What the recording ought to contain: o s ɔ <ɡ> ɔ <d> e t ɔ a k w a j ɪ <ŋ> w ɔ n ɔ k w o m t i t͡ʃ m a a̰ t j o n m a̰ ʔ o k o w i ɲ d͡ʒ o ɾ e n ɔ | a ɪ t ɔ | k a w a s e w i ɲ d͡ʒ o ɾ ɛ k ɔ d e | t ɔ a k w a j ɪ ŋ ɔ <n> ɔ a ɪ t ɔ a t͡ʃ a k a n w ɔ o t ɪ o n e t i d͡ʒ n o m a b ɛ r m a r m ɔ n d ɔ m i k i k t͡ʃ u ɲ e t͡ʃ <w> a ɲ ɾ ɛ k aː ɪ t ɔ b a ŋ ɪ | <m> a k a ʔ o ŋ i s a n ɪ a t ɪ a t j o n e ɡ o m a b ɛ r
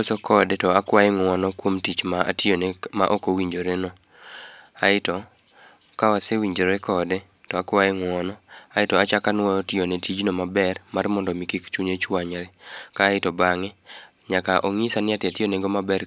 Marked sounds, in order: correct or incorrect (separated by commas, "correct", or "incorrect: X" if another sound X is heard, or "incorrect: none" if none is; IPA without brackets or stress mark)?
incorrect: k, correct, correct, correct, correct, incorrect: ɲ